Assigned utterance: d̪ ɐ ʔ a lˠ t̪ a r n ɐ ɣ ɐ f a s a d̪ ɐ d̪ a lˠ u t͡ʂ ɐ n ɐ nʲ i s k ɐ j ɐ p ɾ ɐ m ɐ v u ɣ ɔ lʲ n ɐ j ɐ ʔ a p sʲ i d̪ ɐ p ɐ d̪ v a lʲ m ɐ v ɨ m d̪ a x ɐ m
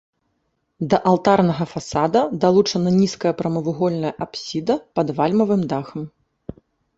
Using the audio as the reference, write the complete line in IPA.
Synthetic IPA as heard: d̪ ɐ ʔ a lˠ t̪ a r n ɐ ɣ ɐ f a s a d̪ ɐ d̪ a lˠ u t͡ʂ ɐ n ɐ nʲ i s k ɐ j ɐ p ɾ ɐ m ɐ v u ɣ ɔ lʲ n ɐ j ɐ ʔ a p sʲ i d̪ ɐ p ɐ d̪ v a lʲ m ɐ v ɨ m d̪ a x ɐ m